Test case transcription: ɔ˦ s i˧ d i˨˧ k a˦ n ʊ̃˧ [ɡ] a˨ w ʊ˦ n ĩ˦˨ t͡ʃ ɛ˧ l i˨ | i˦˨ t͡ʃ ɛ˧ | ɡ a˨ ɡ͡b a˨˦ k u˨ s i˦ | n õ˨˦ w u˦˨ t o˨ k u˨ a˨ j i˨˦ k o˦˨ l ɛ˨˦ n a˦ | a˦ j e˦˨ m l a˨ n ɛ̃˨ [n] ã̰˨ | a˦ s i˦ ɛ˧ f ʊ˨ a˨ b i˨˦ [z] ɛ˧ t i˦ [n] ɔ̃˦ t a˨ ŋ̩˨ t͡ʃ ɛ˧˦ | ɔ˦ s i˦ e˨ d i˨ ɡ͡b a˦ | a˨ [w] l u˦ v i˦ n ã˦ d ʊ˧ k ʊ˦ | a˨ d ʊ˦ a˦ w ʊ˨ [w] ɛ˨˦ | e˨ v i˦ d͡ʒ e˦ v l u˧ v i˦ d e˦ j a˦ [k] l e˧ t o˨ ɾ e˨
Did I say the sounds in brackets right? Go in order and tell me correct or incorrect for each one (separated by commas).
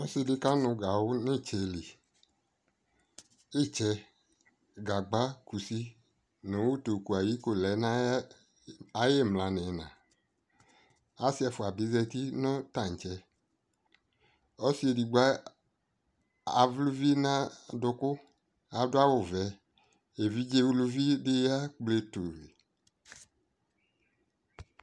correct, correct, correct, correct, incorrect, incorrect, incorrect